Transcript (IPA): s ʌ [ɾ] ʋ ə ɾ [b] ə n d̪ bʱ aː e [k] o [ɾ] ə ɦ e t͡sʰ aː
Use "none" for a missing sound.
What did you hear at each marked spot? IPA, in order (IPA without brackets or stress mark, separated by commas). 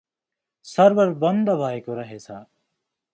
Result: ɾ, b, k, ɾ